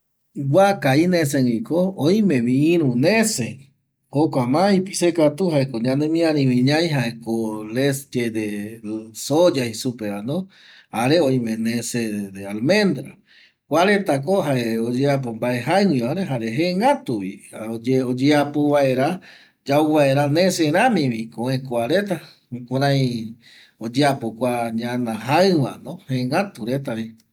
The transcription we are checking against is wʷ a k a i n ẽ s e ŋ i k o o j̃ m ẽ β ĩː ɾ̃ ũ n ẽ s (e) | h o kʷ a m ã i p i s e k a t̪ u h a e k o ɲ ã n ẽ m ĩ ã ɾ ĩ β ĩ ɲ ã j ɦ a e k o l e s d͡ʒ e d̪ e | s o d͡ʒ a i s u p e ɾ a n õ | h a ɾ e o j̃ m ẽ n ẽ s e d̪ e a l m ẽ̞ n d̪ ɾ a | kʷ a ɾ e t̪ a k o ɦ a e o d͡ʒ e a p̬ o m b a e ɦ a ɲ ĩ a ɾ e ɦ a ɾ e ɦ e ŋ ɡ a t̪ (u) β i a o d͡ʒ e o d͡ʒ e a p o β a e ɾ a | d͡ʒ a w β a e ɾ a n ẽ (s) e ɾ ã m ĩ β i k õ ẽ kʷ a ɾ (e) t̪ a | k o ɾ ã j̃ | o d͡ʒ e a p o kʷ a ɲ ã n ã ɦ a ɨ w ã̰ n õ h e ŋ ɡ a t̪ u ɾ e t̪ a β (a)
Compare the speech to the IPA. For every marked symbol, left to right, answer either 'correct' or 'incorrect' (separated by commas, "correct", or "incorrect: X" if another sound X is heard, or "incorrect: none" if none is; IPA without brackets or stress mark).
correct, correct, correct, correct, incorrect: i